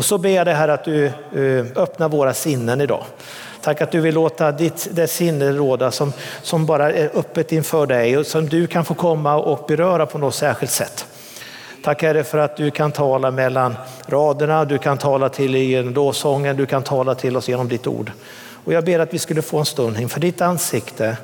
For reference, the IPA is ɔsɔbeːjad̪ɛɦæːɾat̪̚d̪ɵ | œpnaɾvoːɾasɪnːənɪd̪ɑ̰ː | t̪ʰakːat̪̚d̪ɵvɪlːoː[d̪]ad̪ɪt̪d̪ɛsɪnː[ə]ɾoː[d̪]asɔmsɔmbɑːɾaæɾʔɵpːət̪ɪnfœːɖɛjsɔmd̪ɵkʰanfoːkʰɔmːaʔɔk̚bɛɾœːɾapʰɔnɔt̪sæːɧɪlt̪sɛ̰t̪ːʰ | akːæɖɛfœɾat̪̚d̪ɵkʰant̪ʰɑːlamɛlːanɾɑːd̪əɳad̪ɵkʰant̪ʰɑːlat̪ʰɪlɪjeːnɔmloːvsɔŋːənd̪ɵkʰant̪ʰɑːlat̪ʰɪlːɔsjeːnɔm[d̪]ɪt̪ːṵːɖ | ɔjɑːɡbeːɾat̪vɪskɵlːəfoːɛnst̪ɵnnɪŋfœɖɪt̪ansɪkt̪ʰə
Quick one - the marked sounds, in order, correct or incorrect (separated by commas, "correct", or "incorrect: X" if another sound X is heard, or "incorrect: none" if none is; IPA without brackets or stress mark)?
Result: incorrect: t̪, correct, correct, correct